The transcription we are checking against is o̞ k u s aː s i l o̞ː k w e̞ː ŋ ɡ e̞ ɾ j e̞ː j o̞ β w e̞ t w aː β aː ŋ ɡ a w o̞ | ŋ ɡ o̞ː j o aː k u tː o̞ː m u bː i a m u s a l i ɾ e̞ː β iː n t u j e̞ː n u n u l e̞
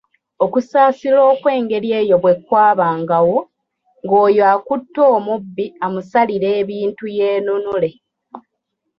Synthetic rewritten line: o̞ k u s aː s i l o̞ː k w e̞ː ŋ ɡ e̞ ɾ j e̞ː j o̞ β w e̞ k w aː β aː ŋ ɡ a w o̞ | ŋ ɡ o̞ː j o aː k u tː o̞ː m u bː i a m u s a l i ɾ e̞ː β iː n t u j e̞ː n u n u l e̞